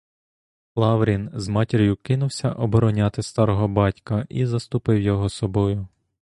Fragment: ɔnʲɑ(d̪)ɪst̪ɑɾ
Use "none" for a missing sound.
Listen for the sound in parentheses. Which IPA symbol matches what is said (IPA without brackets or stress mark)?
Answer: t̪